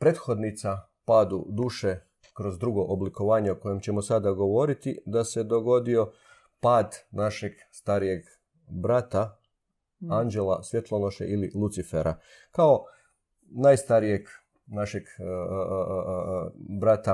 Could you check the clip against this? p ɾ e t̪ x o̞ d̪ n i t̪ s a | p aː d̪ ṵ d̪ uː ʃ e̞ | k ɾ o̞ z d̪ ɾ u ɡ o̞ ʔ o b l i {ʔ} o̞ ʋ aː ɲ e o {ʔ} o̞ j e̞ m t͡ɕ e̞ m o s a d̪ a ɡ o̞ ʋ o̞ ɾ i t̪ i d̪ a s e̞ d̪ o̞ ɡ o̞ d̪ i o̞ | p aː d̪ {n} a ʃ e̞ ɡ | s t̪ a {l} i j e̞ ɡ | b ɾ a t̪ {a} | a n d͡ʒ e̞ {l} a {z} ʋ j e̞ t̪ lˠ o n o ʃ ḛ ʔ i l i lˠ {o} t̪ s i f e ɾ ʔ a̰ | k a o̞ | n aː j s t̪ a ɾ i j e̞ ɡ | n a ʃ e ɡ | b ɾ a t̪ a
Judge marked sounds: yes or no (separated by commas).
no, no, yes, no, yes, yes, no, no